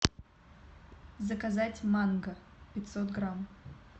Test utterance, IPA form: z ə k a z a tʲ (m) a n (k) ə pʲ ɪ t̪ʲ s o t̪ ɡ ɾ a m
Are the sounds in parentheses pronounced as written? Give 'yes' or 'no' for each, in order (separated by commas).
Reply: yes, no